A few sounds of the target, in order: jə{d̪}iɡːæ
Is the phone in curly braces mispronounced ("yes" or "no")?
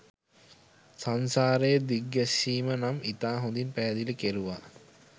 no